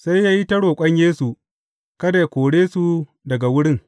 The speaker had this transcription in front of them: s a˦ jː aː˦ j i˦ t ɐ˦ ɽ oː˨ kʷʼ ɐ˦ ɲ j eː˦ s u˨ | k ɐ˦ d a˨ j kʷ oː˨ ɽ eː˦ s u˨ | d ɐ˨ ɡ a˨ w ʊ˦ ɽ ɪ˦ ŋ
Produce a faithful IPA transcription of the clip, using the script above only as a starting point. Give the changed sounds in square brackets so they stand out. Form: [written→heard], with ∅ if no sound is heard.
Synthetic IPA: s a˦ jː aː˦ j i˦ t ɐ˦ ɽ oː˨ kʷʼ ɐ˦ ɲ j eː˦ s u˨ | k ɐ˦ d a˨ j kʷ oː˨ ɽ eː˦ s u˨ | d ɐ˨ ɡ a˨ w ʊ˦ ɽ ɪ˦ ŋ